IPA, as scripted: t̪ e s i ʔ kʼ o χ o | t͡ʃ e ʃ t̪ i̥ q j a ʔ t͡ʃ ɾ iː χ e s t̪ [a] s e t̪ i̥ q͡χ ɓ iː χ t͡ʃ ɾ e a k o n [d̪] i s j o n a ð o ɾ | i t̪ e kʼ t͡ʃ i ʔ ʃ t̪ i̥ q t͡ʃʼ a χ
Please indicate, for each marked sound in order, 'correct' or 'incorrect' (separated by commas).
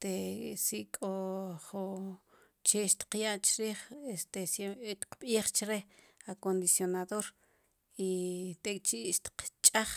incorrect, correct